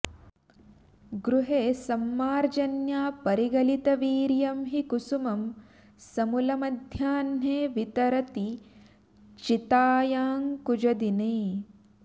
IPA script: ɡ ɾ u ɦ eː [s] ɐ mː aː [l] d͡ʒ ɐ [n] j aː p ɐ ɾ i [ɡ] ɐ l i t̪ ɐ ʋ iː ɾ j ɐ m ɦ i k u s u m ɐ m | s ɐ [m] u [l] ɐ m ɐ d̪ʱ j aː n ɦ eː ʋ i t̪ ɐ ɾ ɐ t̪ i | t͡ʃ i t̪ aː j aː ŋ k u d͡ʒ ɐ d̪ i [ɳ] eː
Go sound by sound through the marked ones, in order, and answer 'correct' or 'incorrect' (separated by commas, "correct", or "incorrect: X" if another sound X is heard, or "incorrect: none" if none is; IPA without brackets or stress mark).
correct, incorrect: ɾ, correct, correct, correct, correct, incorrect: n